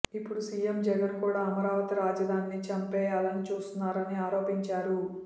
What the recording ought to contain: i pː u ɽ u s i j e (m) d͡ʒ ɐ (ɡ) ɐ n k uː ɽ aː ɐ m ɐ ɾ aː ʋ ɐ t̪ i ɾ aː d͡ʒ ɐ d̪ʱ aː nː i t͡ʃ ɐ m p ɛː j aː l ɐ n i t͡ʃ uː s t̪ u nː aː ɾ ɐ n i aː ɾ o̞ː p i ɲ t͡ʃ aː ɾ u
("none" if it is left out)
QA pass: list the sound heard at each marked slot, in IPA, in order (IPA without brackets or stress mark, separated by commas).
m, ɡ